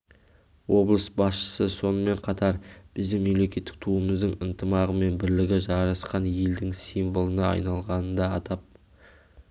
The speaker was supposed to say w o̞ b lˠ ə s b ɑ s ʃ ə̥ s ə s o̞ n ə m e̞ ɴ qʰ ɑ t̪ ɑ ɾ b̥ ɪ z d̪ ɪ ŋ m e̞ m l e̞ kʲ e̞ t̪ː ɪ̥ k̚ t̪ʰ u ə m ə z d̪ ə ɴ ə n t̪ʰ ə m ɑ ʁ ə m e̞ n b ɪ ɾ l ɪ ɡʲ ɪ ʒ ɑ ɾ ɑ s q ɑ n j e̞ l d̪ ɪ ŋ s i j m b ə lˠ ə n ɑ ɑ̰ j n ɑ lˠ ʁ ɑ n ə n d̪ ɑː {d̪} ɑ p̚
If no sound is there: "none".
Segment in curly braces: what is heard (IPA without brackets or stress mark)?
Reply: t̪